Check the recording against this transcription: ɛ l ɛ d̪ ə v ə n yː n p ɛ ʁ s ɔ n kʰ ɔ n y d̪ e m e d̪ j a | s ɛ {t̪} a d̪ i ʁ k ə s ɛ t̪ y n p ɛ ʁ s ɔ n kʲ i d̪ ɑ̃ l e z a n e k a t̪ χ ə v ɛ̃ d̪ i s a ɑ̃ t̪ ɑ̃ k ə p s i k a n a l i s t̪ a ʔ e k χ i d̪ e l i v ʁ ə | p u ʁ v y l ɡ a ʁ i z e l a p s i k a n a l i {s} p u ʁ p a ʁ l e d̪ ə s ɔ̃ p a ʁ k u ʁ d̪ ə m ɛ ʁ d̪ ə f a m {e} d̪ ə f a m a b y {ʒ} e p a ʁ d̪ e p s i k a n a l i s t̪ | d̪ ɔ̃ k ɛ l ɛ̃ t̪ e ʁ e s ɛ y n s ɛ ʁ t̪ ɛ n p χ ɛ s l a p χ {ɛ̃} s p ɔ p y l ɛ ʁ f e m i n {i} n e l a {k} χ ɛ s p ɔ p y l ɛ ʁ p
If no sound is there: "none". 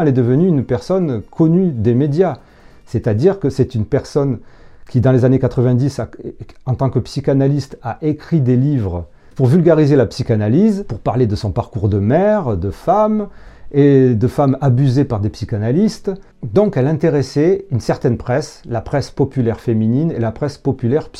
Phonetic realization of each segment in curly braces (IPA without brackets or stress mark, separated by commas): t̪, z, e, z, ɛ, i, p